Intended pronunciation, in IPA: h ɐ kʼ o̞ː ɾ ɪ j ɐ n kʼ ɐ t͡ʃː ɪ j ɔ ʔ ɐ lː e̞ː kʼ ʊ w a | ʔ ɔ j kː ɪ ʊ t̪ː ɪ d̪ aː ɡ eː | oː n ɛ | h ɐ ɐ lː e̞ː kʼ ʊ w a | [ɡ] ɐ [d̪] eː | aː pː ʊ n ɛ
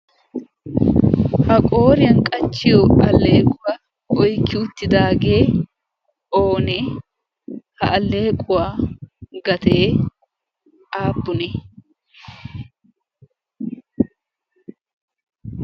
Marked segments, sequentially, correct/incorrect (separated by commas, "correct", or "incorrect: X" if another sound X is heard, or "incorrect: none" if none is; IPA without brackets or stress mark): correct, incorrect: t̪